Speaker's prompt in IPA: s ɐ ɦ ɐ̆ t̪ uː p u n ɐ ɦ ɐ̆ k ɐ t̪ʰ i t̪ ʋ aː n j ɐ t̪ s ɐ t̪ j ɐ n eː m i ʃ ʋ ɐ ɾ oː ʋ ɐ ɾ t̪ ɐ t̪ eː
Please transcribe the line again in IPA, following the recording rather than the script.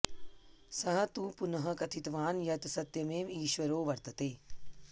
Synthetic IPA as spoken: s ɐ ɦ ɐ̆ t̪ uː p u n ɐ ɦ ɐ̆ k ɐ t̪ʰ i t̪ ʋ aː n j ɐ t̪ s ɐ t̪ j ɐ m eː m iː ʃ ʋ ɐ ɾ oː ʋ ɐ ɾ t̪ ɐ t̪ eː